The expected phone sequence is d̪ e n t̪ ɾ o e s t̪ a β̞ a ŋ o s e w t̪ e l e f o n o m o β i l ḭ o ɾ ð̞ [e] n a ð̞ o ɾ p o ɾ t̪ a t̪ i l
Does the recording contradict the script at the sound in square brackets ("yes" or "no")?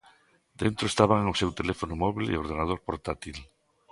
no